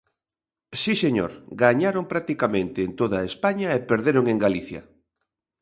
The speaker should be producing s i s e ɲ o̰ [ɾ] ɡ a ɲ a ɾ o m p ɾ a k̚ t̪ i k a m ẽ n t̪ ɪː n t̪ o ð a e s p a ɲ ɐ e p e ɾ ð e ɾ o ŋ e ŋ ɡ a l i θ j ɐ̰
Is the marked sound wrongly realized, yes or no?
no